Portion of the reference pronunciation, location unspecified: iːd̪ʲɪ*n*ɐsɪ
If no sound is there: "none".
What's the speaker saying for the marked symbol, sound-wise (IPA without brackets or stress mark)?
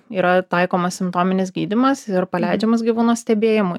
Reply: m